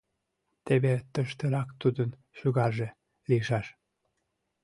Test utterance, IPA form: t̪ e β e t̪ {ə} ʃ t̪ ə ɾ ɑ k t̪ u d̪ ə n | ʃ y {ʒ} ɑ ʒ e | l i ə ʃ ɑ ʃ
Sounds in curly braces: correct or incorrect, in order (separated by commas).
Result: correct, incorrect